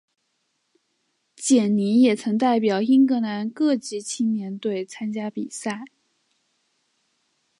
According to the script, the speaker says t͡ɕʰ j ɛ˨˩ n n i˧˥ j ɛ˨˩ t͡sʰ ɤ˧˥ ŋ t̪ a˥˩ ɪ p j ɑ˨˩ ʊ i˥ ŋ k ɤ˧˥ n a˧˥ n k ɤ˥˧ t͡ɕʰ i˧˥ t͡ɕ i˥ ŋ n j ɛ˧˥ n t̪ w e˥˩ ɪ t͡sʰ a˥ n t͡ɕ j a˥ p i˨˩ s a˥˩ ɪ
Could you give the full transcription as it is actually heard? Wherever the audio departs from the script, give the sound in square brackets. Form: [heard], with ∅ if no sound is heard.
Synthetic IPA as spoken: [t͡ɕ] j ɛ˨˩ n n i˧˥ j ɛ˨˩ t͡sʰ ɤ˧˥ ŋ t̪ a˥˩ ɪ p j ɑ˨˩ ʊ i˥ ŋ k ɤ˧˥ n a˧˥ n k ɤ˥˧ [t͡ɕ] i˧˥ [t͡ɕʰ] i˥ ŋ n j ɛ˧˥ n t̪ w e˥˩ ɪ t͡sʰ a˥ n t͡ɕ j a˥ p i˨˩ s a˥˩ ɪ